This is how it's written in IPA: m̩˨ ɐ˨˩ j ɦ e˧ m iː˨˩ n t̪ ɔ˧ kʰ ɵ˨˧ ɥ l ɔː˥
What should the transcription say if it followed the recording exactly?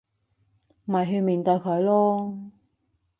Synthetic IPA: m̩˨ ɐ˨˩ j ɦ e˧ m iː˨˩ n t̪ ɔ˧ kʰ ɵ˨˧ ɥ l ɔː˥